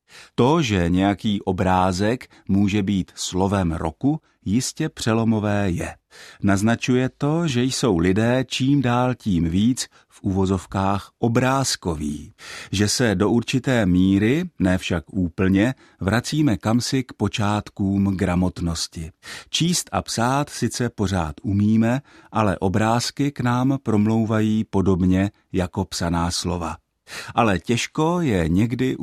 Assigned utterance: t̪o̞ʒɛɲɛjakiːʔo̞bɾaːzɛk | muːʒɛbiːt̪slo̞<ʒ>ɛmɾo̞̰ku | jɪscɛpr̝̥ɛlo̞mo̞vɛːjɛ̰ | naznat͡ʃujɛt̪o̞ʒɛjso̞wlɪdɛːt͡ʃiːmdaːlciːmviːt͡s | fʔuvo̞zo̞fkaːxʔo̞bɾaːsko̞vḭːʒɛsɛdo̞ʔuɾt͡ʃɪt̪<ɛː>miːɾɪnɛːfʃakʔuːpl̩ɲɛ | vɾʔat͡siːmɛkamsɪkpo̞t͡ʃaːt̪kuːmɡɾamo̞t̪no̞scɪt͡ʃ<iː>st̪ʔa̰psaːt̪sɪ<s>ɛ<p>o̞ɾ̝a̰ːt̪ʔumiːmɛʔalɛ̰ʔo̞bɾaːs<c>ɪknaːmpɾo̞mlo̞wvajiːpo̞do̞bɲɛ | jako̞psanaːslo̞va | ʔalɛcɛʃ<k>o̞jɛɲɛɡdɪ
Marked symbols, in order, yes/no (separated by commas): no, yes, yes, no, yes, no, yes